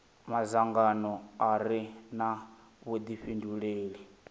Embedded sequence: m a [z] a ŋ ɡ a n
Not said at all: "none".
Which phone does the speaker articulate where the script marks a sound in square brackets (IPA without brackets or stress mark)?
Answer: z